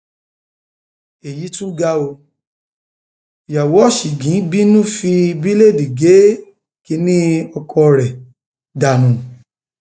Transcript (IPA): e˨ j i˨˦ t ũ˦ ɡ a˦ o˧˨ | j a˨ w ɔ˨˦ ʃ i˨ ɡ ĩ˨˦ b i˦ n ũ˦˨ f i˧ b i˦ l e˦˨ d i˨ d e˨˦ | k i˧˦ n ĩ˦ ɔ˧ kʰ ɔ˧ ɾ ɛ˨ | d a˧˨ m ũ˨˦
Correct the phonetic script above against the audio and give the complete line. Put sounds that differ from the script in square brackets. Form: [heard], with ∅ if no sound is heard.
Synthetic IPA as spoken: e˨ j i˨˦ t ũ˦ ɡ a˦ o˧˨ | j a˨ w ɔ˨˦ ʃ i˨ ɡ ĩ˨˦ b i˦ n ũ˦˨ f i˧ b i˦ l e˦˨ d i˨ [ɡ] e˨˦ | k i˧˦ n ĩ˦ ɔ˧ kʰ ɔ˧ ɾ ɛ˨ | d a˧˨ [n] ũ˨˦